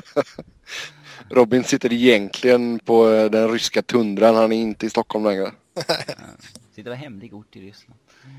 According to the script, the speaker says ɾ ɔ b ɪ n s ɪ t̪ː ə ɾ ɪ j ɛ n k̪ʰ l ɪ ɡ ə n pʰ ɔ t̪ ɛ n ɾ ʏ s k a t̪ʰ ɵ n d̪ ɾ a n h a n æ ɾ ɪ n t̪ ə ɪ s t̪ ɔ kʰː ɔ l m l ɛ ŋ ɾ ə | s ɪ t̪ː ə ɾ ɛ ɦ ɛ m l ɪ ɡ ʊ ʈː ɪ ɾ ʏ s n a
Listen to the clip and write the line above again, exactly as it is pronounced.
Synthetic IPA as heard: ɾ ɔ b ɪ n s ɪ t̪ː ə ɾ ɪ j ɛ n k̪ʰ l ɪ ɡ ə n pʰ ɔ d̪ ɛ n ɾ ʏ s k a t̪ʰ ɵ n d̪ ɾ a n h a n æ ɾ ɪ n t̪ ə ɪ s t̪ ɔ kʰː ɔ l m l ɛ ŋ ɾ ə | s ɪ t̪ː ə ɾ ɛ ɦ ɛ m l ɪ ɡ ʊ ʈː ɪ ɾ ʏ s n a